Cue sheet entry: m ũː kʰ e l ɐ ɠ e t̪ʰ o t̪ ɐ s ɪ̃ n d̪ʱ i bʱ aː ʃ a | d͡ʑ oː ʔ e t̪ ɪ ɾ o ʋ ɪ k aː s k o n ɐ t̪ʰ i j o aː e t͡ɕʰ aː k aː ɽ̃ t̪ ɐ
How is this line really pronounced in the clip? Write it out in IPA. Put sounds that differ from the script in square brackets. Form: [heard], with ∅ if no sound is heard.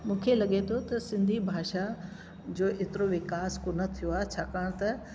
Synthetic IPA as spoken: m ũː kʰ e l ɐ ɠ e t̪ʰ o t̪ ɐ s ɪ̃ n d̪ʱ i bʱ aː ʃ a | d͡ʑ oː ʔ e t̪ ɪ ɾ o ʋ ɪ k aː s k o n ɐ t̪ʰ i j o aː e t͡ɕʰ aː k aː ɽ̃ t̪ ɐ